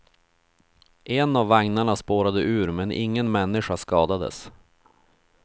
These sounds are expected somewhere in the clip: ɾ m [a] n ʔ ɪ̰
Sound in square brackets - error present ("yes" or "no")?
yes